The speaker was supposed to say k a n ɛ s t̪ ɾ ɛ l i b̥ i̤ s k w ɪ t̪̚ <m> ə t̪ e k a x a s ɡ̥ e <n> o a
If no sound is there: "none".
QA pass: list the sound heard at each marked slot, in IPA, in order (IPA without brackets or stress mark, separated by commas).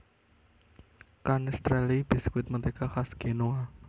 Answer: m, n